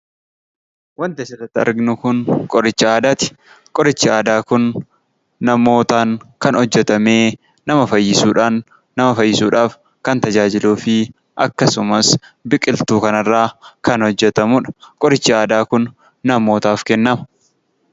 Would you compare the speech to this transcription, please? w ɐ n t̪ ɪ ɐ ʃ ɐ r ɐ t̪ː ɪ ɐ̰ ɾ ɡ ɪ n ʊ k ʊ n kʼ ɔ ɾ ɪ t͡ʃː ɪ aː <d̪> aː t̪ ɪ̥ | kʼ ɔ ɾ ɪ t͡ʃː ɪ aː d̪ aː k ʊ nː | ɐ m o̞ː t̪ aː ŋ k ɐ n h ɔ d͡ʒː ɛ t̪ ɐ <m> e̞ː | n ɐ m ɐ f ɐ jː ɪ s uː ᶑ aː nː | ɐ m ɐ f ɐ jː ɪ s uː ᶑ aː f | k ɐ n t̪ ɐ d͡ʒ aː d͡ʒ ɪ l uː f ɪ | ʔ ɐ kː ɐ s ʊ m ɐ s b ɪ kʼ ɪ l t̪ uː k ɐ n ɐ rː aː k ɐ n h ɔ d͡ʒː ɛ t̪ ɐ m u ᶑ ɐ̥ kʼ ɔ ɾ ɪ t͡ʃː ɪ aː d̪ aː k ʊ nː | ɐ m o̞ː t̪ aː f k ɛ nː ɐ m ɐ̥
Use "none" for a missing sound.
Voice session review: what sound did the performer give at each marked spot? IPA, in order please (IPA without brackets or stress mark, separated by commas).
d̪, m